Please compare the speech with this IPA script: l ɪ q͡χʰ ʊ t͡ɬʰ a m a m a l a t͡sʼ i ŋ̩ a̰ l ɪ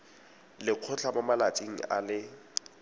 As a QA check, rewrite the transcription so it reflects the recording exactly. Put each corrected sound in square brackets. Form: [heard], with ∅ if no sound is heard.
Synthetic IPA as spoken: l ɪ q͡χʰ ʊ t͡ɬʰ a m a m a l a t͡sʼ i ŋ̩ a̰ l ɪ